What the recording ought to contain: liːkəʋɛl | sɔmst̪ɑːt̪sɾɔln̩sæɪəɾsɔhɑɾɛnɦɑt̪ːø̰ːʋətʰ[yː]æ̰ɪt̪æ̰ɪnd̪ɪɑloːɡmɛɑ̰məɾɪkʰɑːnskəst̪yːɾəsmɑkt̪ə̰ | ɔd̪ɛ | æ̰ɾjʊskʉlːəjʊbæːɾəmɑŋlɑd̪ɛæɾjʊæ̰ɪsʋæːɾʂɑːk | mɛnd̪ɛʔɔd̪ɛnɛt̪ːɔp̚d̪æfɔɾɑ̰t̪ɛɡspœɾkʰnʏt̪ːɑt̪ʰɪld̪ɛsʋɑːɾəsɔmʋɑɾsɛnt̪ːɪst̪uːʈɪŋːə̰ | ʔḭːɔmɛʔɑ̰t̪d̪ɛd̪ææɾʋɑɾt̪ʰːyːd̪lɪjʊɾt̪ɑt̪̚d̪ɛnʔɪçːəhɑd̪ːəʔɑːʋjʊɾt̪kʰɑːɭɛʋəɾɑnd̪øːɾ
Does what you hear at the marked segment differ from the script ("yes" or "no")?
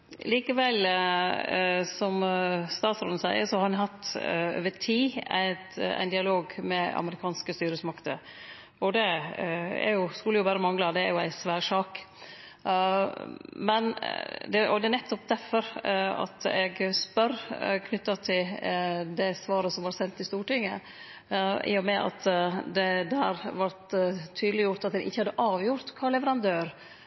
yes